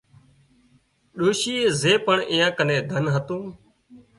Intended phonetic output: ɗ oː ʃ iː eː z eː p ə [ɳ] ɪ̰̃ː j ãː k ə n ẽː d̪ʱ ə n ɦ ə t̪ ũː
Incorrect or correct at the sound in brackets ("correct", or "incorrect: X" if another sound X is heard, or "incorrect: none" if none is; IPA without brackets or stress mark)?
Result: correct